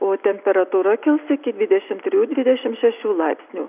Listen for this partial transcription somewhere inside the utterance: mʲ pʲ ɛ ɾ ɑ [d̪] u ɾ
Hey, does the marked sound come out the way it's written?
no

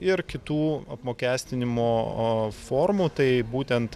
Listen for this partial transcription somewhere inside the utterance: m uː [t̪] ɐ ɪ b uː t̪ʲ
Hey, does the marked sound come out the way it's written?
yes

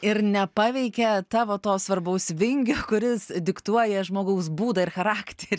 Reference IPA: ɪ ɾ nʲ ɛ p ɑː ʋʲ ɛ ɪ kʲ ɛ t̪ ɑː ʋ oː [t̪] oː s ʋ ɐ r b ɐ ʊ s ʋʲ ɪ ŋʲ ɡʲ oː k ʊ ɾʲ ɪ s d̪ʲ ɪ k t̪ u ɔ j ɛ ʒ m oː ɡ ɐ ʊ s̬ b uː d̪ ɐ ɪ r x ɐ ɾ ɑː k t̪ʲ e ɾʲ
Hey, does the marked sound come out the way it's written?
yes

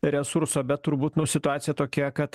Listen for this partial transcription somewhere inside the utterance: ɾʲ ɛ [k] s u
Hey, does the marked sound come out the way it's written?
no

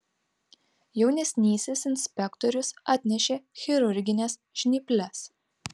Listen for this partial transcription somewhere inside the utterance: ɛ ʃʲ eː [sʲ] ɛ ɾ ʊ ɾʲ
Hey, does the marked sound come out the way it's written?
no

